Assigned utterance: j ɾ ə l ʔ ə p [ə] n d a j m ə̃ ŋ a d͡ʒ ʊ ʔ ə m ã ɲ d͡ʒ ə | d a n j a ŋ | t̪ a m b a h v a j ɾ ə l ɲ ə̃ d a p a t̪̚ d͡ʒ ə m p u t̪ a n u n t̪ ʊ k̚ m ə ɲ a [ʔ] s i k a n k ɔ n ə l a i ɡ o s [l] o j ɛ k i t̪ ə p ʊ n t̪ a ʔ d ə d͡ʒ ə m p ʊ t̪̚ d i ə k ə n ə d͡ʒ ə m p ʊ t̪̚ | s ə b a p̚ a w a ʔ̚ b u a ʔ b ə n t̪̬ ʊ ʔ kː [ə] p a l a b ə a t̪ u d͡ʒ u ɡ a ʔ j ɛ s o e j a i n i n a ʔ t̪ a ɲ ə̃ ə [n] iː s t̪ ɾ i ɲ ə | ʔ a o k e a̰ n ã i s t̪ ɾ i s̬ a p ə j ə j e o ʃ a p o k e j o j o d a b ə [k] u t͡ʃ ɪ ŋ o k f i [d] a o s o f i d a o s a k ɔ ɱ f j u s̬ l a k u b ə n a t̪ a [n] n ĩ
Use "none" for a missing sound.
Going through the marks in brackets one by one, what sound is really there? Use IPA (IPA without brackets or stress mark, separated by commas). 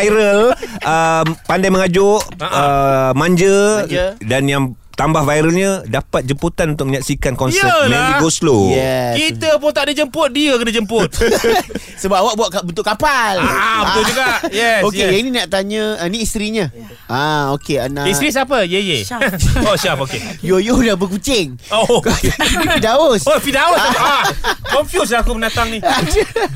a, k, l, a, n, k, d, ŋ